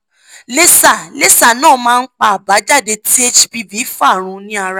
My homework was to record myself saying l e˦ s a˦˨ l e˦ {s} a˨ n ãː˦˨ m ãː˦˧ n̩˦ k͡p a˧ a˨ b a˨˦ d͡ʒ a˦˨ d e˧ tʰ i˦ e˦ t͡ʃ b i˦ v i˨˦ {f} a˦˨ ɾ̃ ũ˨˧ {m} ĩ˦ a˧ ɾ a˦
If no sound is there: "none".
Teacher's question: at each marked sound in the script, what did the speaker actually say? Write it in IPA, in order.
s, f, n

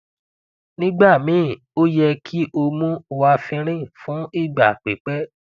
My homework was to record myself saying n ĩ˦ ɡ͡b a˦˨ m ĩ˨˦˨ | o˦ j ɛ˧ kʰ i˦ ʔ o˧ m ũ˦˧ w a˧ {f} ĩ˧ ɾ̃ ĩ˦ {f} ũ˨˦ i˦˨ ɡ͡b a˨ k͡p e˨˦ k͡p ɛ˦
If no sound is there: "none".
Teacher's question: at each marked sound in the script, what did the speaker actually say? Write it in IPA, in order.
f, f

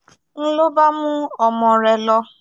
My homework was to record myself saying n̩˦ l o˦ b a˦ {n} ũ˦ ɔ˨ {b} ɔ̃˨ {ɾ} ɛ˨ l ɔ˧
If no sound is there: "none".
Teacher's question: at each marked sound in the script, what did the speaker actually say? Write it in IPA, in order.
m, m, ɾ

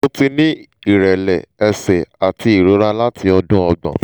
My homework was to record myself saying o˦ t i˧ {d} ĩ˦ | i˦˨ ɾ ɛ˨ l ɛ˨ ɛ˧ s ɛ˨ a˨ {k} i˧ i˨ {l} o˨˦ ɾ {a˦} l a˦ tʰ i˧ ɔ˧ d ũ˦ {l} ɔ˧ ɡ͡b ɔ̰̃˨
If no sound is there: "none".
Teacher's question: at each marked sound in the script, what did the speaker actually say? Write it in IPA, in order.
n, t, ɾ, a˦, none

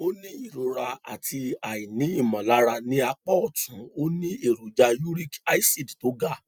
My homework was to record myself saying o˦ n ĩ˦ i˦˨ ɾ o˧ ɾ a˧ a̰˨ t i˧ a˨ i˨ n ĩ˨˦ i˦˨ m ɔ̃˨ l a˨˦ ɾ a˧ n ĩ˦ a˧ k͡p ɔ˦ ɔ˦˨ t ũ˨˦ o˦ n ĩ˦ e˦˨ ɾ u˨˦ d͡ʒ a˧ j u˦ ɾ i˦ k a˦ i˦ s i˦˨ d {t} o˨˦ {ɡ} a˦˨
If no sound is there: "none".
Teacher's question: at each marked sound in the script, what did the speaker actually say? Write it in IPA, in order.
t, ɡ

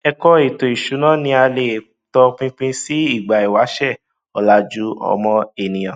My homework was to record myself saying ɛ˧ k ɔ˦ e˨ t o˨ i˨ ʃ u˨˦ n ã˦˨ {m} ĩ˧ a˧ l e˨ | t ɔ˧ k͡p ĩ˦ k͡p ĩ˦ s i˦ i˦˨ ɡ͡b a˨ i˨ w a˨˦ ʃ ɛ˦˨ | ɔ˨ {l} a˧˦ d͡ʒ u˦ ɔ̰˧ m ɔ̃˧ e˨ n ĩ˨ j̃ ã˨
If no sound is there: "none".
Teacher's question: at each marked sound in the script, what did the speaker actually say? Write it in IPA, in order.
n, l

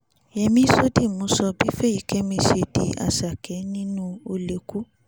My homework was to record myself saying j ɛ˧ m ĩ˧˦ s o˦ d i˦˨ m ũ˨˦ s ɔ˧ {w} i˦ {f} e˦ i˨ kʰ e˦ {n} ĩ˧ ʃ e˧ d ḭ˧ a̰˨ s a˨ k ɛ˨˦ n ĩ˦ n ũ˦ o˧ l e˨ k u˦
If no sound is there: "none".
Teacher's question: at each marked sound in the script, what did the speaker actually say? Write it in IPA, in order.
b, f, m

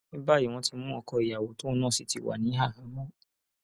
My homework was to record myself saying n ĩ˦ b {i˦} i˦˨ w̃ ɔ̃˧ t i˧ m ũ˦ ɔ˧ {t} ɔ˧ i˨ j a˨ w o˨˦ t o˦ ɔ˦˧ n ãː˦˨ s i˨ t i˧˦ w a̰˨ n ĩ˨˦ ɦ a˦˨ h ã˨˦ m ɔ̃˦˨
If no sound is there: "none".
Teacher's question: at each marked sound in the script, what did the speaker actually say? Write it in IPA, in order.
a˦, k

